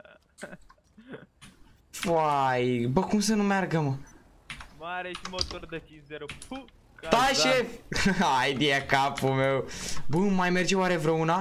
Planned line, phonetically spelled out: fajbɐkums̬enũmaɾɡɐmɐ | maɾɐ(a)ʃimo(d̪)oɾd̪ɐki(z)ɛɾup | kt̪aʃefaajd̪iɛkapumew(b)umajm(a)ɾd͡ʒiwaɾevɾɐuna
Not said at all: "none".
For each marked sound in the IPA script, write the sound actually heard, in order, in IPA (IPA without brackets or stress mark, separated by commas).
e, t̪, z, b, e